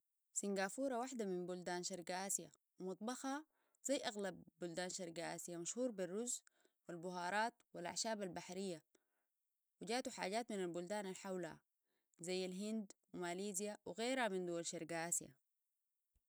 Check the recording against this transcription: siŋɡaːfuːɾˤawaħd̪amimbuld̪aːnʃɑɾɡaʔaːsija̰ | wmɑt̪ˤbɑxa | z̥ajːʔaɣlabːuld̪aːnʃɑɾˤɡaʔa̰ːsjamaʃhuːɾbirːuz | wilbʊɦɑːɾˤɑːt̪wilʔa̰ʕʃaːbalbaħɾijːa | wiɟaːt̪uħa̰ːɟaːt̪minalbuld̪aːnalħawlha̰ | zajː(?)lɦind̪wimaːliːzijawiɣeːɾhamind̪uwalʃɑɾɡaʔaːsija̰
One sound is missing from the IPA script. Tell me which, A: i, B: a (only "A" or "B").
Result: B